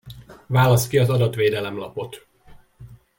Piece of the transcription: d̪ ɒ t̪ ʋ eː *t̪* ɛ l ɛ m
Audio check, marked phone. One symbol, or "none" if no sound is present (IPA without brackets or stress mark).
d̪